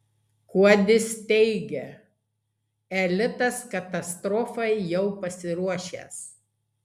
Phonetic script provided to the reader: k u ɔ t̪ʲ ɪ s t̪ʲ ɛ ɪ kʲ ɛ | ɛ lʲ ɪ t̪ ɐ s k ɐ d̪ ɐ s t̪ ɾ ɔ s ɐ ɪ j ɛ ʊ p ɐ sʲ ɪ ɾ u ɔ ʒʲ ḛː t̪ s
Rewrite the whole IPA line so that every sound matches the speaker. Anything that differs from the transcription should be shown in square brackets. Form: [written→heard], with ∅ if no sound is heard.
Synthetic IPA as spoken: k u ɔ [t̪ʲ→d̪ʲ] ɪ s t̪ʲ ɛ ɪ [kʲ→ɡʲ] ɛ | ɛ lʲ ɪ t̪ ɐ s k ɐ [d̪→t̪] ɐ s t̪ ɾ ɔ [s→f] ɐ ɪ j ɛ ʊ p ɐ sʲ ɪ ɾ u ɔ [ʒʲ→ʃʲ] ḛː [t̪→∅] s